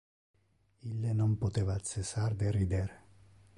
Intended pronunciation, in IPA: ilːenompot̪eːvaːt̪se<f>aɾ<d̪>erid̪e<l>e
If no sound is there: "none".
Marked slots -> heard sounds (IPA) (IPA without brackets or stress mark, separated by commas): s, d̪, ɾ